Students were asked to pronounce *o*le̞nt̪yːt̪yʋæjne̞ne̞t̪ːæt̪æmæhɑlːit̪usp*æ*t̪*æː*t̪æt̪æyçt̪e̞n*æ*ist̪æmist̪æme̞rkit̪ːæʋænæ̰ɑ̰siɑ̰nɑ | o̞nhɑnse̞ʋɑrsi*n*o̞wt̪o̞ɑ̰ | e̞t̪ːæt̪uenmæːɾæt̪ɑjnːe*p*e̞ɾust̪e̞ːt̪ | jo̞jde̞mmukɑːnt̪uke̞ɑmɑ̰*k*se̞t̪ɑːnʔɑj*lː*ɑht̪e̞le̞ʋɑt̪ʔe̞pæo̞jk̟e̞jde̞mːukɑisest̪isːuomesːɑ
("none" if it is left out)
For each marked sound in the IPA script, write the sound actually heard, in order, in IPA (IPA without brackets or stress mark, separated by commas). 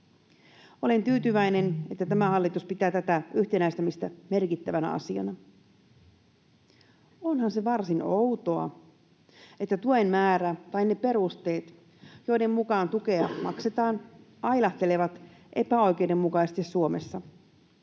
o, i, æː, æ, n, p, k, l